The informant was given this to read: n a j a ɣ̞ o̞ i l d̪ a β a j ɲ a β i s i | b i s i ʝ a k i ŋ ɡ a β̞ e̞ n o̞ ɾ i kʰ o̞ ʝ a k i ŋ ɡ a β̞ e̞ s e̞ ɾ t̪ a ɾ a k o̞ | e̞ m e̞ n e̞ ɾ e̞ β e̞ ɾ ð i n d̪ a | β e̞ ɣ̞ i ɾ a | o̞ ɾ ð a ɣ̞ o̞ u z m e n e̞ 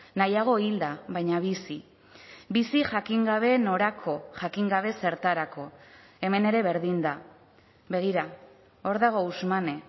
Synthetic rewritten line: n a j a ɣ̞ o̞ i l d̪ a β a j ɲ a β i s i | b i s i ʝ a k i ŋ ɡ a β̞ e̞ n o̞ ɾ a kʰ o̞ ʝ a k i ŋ ɡ a β̞ e̞ s e̞ ɾ t̪ a ɾ a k o̞ | e̞ m e̞ n e̞ ɾ e̞ β e̞ ɾ ð i n d̪ a | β e̞ ɣ̞ i ɾ a | o̞ ɾ ð a ɣ̞ o̞ u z m a n e̞